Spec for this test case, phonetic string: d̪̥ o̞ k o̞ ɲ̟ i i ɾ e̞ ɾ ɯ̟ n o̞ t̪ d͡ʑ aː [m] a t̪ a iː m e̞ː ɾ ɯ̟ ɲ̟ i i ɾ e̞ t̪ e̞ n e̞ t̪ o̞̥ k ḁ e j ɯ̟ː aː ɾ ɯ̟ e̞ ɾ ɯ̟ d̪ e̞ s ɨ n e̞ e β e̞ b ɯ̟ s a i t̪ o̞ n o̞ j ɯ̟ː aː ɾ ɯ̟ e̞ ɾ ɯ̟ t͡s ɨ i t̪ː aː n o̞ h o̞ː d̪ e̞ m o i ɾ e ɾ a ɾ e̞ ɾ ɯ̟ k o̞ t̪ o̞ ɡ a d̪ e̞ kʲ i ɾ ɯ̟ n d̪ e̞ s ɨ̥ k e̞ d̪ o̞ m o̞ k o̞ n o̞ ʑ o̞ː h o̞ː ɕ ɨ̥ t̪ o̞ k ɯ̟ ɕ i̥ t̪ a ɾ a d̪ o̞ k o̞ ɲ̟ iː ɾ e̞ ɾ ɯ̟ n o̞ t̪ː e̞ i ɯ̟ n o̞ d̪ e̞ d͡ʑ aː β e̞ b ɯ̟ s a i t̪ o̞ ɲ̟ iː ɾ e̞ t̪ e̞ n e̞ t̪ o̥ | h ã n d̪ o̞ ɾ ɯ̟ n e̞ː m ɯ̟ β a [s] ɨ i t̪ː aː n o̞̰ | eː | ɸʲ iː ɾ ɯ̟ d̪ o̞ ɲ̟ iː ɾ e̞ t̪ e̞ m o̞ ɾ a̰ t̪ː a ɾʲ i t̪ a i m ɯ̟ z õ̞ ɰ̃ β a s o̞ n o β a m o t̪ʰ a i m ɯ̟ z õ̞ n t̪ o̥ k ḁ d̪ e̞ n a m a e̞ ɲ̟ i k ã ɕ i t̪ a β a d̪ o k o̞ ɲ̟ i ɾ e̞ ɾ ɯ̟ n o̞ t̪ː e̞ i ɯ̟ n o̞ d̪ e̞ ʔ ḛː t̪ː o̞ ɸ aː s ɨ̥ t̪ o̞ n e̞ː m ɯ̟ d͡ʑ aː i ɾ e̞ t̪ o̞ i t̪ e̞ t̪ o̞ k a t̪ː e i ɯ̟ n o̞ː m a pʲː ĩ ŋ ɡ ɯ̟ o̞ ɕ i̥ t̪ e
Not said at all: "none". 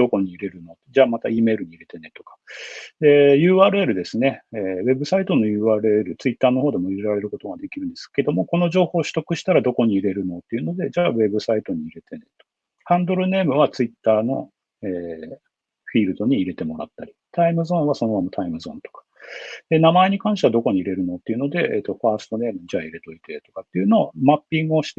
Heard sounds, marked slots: m, t͡s

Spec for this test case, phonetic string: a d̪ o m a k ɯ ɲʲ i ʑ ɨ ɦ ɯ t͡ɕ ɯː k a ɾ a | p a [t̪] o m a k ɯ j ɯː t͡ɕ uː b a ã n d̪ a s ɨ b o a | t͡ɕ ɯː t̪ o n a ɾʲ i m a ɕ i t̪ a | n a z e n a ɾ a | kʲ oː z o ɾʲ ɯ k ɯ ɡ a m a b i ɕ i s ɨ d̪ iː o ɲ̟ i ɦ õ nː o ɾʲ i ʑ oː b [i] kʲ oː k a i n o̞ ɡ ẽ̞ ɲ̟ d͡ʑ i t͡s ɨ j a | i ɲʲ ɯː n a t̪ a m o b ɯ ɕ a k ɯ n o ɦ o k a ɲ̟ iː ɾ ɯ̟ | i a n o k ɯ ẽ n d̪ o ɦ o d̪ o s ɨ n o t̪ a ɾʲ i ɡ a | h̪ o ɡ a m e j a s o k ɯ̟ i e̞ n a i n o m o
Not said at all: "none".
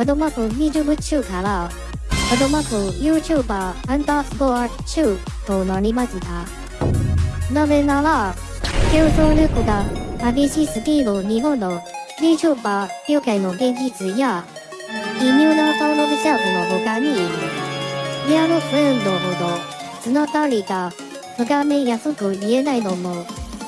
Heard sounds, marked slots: d̪, a

